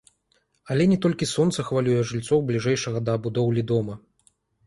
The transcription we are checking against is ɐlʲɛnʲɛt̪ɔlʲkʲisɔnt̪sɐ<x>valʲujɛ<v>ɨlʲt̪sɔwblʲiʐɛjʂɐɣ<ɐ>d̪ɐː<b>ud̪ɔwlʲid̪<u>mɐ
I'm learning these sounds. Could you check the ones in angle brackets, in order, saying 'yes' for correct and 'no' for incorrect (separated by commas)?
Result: yes, no, yes, yes, no